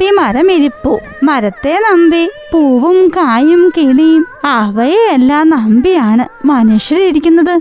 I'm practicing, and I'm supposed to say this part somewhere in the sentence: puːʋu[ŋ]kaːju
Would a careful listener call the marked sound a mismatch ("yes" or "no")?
yes